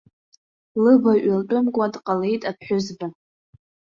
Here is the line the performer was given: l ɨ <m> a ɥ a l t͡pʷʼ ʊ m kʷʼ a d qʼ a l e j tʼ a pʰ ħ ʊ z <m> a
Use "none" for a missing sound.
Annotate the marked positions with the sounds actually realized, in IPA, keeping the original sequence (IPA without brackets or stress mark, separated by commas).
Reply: b, b